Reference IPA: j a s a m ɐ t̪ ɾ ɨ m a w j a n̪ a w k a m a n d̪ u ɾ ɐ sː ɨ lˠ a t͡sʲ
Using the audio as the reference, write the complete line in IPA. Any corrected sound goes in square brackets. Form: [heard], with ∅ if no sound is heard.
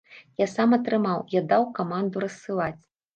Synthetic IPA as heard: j a s a m ɐ t̪ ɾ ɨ m a w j a [d̪] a w k a m a n d̪ u ɾ ɐ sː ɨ lˠ a t͡sʲ